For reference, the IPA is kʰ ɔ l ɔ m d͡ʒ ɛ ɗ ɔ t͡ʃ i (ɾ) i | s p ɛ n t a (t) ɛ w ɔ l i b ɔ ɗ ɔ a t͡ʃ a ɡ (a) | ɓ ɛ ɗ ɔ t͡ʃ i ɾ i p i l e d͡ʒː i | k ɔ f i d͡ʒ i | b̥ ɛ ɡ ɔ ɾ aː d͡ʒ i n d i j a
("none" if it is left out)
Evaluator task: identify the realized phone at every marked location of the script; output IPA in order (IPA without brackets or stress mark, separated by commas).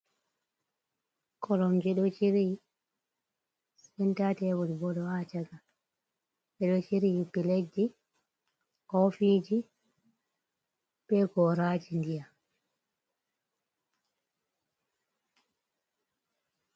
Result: ɾ, t, a